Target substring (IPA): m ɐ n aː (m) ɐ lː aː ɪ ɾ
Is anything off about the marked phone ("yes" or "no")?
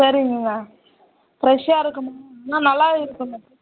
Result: yes